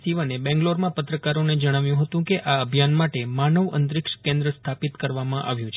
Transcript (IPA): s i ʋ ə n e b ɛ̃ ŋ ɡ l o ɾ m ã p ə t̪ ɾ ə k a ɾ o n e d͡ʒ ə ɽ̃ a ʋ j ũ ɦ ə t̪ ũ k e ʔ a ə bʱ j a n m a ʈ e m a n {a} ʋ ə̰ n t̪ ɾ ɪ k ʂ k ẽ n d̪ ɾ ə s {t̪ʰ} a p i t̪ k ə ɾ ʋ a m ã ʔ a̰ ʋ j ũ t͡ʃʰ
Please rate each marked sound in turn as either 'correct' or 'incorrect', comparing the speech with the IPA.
incorrect: ə, correct

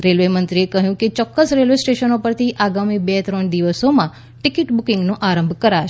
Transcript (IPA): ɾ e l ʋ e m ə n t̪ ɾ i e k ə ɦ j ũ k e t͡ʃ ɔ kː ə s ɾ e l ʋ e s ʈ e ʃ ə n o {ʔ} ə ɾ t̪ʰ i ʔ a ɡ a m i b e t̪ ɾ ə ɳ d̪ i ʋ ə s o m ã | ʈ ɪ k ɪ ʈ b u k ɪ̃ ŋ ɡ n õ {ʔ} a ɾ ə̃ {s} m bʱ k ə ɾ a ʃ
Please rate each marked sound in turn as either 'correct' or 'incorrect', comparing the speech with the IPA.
incorrect: p, correct, incorrect: none

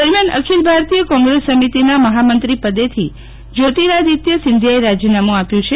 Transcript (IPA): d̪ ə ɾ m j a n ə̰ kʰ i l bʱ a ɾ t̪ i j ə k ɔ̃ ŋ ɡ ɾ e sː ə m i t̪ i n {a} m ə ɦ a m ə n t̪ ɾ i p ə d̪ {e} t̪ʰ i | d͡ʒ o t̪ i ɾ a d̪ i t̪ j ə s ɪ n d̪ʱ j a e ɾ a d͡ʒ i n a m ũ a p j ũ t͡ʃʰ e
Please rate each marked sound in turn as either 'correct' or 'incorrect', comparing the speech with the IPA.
correct, correct

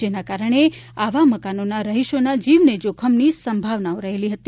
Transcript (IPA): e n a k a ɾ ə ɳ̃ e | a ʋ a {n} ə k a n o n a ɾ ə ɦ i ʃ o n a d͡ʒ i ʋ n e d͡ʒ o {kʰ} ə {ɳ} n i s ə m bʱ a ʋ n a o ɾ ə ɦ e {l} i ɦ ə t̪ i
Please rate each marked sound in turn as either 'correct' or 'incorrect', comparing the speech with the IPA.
incorrect: m, correct, incorrect: m, correct

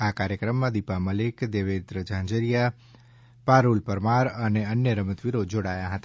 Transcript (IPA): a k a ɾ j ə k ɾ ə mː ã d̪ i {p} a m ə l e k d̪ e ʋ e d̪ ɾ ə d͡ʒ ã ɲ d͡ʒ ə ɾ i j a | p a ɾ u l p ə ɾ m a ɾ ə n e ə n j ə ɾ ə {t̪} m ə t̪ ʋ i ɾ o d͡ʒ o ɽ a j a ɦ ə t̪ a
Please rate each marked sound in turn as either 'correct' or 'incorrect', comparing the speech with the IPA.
correct, incorrect: none

